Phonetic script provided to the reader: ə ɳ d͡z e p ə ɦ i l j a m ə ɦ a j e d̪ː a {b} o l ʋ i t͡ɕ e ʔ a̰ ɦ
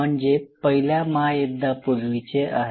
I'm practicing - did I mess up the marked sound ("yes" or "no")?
yes